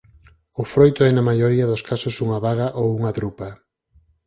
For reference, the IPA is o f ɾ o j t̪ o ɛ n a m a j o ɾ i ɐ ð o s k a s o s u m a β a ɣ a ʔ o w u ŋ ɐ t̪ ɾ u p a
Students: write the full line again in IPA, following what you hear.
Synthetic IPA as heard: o f ɾ o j t̪ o ɛ n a m a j o ɾ i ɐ ð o s k a s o s u ŋ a β a ɣ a ʔ o w u ŋ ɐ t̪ ɾ u p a

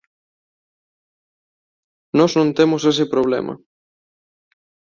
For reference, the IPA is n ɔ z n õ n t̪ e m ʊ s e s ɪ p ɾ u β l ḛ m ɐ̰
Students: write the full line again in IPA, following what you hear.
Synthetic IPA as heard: n ɔ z n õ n t̪ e m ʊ s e s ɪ p ɾ o β l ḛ m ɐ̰

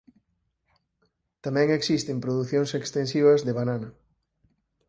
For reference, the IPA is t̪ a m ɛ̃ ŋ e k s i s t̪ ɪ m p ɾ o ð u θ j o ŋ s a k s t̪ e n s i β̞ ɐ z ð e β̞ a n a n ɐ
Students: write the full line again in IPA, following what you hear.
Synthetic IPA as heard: t̪ a m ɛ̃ ŋ e k s i s t̪ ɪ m p ɾ o ð u θ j o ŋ s e k s t̪ e n s i β̞ ɐ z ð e β̞ a n a n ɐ

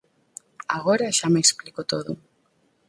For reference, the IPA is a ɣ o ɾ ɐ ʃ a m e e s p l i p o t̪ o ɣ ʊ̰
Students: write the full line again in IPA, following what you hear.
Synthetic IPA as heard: a ɣ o ɾ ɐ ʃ a m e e s p l i k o t̪ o ð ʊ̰

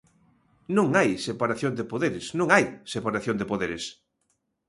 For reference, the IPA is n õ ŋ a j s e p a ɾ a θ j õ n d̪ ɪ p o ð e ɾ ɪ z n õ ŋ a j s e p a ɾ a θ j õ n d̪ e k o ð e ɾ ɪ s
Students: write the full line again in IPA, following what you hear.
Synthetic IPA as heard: n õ ŋ a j s e p a ɾ a θ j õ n d̪ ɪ p o ð e ɾ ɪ s n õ ŋ a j s e p a ɾ a θ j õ n d̪ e p o ð e ɾ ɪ s

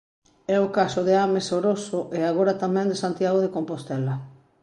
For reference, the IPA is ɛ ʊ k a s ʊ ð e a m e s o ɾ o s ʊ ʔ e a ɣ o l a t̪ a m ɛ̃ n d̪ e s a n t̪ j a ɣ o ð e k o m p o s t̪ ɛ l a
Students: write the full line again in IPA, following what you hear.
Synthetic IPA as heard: ɛ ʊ k a s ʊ ð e a m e s o ɾ o s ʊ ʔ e a ɣ o ɾ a t̪ a m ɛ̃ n d̪ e s a n t̪ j a ɣ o ð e k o m p o s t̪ ɛ l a

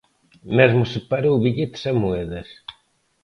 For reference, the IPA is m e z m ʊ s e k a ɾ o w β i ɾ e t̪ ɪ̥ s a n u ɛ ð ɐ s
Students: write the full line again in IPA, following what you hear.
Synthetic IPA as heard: m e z m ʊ s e p a ɾ o w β i ʎ e t̪ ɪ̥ s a m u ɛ ð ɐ s

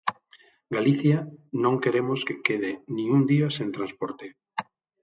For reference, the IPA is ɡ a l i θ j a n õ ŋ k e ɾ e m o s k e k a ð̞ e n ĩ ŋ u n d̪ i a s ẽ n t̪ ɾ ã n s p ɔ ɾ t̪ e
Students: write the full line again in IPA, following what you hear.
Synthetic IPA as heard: ɡ a l i θ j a n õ ŋ k e ɾ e m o s k e k e ð̞ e n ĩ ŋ u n d̪ i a s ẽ n t̪ ɾ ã n s p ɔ ɾ t̪ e

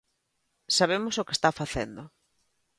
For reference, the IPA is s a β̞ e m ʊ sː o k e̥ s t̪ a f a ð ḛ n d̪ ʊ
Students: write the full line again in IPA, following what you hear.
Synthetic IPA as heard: s a β̞ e m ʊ s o k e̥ s t̪ a f a θ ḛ n d̪ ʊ

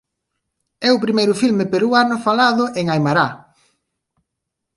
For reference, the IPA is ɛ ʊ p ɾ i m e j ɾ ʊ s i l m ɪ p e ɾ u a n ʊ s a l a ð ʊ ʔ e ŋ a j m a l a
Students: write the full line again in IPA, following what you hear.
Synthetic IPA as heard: ɛ ʊ p ɾ i m e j ɾ ʊ f i l m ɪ p e ɾ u a n ʊ f a l a ð ʊ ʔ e ŋ a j m a ɾ a

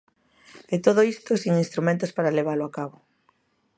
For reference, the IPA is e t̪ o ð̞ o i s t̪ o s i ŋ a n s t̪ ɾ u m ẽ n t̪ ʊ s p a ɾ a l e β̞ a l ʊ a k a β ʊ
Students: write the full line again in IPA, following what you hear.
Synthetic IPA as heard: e t̪ o ð̞ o i s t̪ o s i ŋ i n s t̪ ɾ u m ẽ n t̪ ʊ s p a ɾ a l e β̞ a l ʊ a k a β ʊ

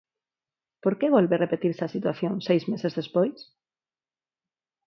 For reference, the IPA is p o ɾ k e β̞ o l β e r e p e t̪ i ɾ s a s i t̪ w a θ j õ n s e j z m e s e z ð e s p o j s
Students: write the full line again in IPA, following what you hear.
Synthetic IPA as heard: p o ɾ k e β̞ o l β e r e p e t̪ i ɾ s a s i t̪ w a θ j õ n s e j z m e s e z ð e s p o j s

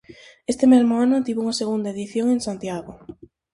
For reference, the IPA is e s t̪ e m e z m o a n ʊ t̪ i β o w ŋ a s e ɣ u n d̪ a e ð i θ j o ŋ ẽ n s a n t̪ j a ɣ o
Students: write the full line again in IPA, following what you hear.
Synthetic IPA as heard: e s t̪ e m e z m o a n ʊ t̪ i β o u ŋ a s e ɣ u n d̪ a e ð i θ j o ŋ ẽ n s a n t̪ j a ɣ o

